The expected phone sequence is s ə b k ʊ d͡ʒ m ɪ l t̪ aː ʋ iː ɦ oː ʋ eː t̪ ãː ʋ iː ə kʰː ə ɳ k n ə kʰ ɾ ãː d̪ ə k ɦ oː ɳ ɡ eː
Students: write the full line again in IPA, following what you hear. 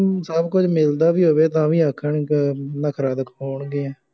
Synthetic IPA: s ə b k ʊ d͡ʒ m ɪ l d̪ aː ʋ iː ɦ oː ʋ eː t̪ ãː ʋ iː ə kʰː ə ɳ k n ə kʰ ɾ aː d̪ ə k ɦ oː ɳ ɡ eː